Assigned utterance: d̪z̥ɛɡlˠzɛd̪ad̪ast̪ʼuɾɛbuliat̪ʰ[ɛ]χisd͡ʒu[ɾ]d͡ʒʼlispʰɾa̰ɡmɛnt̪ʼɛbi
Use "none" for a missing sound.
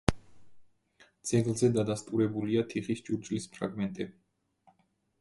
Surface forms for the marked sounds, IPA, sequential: i, ɾ

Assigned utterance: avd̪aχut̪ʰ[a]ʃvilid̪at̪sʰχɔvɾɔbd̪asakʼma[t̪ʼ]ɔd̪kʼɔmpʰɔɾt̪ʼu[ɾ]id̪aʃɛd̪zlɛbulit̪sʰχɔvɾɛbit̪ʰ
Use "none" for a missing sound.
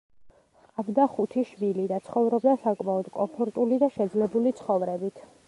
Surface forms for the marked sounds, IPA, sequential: i, none, l

